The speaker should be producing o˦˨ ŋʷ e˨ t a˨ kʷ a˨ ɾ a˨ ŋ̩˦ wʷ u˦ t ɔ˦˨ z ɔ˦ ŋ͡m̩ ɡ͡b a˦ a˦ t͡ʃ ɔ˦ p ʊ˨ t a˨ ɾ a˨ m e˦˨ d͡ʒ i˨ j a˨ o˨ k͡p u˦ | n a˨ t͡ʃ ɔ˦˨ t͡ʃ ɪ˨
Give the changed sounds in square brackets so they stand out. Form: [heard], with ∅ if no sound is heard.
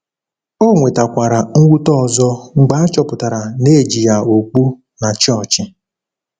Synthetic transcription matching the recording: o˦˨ ŋʷ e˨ t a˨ kʷ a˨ ɾ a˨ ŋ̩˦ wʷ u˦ t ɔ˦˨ z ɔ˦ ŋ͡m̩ ɡ͡b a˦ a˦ t͡ʃ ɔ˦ p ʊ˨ t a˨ ɾ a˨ [n] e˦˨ d͡ʒ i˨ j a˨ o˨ k͡p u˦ | n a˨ t͡ʃ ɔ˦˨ t͡ʃ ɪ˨